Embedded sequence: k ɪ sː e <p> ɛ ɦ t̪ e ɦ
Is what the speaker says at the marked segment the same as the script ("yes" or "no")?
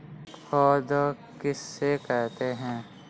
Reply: no